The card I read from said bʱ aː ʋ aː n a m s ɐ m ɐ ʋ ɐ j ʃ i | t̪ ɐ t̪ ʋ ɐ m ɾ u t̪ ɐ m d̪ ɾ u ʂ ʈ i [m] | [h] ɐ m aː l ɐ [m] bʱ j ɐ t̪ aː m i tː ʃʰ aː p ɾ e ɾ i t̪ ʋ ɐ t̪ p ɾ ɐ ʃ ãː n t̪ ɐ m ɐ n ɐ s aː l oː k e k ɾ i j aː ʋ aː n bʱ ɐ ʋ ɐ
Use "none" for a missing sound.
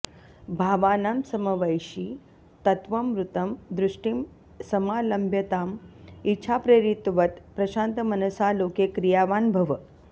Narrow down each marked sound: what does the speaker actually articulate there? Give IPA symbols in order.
m, s, m

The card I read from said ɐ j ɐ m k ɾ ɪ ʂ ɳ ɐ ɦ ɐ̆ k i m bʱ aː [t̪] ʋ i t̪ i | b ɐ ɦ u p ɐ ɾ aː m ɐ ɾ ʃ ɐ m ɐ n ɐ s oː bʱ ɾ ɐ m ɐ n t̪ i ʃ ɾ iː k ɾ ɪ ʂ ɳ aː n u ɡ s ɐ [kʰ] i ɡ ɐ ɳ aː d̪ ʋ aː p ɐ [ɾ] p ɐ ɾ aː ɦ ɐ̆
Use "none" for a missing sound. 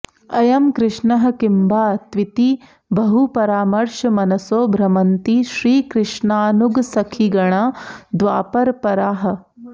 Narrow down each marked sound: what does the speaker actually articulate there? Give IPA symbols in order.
t̪, kʰ, ɾ

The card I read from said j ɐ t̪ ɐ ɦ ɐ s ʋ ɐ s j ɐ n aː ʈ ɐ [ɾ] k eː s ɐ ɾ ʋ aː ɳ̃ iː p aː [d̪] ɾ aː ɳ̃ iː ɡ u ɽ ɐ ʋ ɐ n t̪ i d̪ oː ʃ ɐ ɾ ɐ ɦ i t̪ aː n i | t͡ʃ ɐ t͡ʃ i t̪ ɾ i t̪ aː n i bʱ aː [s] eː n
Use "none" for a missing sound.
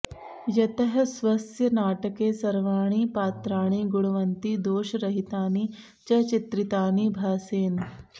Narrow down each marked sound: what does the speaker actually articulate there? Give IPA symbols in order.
none, t̪, s

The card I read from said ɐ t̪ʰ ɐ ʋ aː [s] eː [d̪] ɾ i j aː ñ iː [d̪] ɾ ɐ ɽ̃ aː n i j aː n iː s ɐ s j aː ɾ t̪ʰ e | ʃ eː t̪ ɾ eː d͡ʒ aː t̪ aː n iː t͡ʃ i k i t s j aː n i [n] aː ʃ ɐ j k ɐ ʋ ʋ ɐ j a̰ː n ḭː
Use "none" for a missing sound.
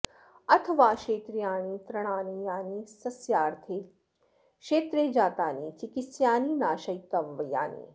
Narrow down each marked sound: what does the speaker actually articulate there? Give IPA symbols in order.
ʃ, t̪, t̪, n

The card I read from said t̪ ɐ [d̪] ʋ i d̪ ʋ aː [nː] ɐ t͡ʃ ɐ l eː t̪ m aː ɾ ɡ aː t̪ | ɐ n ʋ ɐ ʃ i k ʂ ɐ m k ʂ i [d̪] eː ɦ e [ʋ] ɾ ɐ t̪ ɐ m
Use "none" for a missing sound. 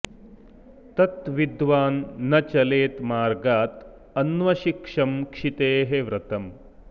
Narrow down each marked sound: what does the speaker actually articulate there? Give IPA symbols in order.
t̪, nː, t̪, ʋ

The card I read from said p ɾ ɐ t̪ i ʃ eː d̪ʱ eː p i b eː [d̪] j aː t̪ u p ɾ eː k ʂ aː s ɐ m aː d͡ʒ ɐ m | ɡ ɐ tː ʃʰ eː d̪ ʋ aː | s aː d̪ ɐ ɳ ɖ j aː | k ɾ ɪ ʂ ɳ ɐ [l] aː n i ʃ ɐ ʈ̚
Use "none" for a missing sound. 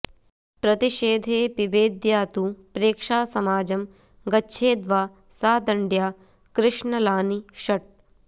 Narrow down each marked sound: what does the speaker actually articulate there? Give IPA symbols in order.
d̪, l

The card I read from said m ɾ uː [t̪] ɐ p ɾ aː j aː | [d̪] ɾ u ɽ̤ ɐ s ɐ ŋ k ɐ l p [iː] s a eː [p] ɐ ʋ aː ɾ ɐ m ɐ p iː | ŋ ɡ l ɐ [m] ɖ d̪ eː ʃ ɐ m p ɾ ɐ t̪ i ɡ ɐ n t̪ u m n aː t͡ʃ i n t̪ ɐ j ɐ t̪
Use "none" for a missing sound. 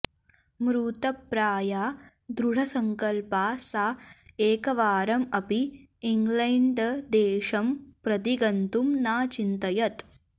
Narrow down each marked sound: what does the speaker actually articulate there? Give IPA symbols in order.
t̪, d̪, aː, k, ɳ

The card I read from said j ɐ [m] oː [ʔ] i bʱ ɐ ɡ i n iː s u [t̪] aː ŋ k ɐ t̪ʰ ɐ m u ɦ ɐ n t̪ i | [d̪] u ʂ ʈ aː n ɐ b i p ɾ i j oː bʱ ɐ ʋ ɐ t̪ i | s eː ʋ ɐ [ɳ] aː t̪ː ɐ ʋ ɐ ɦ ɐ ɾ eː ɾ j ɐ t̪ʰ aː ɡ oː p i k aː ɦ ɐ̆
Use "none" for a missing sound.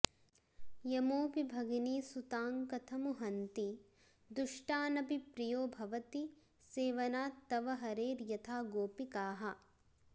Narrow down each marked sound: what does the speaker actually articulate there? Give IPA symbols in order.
m, p, t̪, d̪, n

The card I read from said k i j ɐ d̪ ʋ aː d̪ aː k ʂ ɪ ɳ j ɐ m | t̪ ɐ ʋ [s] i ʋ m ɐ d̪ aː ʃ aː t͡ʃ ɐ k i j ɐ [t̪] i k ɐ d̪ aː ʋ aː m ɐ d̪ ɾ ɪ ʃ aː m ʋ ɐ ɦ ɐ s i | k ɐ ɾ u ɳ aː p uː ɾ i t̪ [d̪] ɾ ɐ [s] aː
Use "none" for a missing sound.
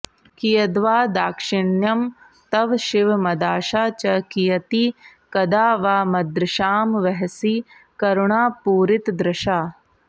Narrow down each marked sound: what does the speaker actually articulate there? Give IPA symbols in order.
ʃ, t̪, d̪, ʃ

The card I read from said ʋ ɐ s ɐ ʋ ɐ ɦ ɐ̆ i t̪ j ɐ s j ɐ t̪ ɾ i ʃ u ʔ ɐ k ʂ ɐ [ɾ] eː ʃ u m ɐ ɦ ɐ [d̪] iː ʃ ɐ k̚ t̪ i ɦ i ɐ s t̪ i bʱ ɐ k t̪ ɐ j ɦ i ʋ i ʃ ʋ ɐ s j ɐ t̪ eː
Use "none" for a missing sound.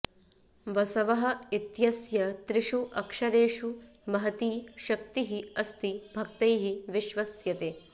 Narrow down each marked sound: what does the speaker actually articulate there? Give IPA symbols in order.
ɾ, t̪

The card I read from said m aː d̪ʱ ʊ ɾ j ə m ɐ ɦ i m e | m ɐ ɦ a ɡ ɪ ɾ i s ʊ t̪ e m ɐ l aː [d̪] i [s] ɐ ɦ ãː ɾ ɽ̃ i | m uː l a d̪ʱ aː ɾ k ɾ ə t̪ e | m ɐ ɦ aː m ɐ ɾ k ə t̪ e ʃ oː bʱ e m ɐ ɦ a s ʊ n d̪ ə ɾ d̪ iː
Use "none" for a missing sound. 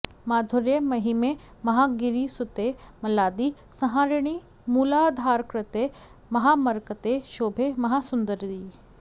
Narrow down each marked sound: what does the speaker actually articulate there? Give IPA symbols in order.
d̪, s

